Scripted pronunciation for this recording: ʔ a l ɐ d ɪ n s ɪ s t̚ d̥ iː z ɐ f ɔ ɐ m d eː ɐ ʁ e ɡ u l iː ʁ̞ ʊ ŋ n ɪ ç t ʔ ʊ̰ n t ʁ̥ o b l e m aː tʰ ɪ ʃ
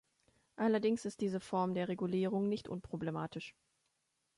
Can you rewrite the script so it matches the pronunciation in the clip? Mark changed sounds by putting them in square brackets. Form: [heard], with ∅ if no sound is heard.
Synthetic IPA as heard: ʔ a l ɐ d ɪ [ŋ] s ɪ s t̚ d̥ iː z [ə] f ɔ ɐ m d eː ɐ ʁ e ɡ u l iː ʁ̞ ʊ ŋ n ɪ ç t ʔ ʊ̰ n [p] ʁ̥ o b l e m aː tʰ ɪ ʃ